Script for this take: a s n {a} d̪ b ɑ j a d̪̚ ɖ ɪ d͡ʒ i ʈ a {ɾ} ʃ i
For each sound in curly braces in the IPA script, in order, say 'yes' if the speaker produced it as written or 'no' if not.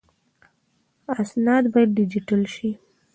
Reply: no, no

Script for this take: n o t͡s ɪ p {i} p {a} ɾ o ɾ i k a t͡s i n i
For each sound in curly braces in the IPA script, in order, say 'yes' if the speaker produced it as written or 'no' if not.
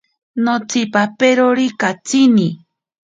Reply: no, no

